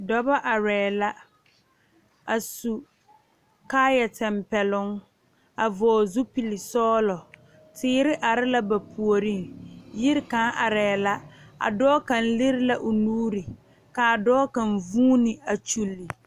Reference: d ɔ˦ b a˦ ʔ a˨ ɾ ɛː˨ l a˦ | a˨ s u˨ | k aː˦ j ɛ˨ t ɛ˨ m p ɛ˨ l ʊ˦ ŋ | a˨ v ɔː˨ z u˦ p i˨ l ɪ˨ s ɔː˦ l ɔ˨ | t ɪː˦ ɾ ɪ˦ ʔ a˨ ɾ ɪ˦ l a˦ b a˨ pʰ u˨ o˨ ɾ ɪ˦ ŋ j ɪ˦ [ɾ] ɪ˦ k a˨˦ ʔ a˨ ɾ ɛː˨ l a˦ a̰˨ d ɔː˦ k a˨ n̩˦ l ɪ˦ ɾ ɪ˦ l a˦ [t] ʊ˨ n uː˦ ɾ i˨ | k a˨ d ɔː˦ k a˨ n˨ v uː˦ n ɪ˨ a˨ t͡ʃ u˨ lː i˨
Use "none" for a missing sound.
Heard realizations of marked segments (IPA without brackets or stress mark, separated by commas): ɾ, ʔ